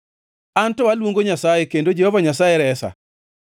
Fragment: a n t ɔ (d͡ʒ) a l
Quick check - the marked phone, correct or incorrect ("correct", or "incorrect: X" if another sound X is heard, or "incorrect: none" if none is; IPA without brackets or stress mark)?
incorrect: none